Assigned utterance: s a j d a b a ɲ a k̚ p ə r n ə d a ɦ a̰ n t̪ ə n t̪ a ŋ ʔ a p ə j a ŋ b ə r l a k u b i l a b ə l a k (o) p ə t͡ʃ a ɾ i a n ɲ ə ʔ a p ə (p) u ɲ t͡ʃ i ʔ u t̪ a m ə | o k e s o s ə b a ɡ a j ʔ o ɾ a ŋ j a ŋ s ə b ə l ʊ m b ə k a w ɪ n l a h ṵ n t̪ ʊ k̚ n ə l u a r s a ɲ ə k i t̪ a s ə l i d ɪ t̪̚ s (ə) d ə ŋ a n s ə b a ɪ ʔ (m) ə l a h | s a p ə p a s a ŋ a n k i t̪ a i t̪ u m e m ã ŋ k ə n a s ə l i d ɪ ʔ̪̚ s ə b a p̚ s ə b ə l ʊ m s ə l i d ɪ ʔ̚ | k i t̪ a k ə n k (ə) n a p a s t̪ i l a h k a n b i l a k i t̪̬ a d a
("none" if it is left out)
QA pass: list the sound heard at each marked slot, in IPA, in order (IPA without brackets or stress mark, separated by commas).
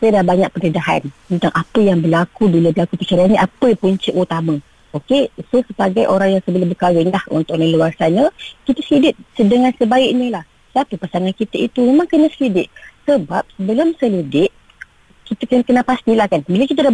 u, p, ə, ɲ, ə